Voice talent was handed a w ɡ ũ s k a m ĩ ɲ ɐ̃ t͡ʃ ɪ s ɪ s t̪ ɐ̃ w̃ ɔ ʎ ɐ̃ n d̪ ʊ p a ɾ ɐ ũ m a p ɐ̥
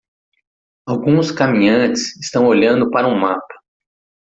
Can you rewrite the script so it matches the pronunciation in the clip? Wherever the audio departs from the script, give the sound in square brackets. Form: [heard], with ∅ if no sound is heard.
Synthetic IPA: a w ɡ ũ s k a m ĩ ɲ ɐ̃ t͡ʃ ɪ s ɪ s t̪ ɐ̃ w̃ [o] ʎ ɐ̃ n d̪ ʊ p a ɾ ɐ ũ m a p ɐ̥